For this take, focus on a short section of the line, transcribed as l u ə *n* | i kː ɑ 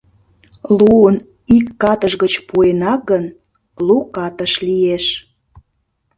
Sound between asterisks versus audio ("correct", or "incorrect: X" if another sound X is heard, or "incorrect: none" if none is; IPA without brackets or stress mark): correct